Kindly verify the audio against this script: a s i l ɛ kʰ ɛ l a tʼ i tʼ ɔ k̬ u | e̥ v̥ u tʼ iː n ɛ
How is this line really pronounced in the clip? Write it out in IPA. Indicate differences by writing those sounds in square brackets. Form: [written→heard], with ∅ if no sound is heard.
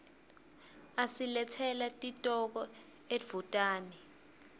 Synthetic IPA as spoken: a s i l ɛ [kʰ→tʰ] ɛ l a tʼ i tʼ ɔ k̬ [u→ɔ] | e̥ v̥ u tʼ [iː→aː] n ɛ